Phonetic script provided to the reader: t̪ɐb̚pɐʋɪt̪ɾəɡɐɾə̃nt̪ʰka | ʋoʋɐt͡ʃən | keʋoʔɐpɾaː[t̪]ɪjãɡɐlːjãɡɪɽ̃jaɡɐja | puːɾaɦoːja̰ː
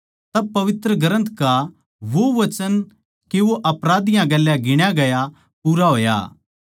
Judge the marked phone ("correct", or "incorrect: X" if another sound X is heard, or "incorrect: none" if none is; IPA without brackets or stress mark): incorrect: d̪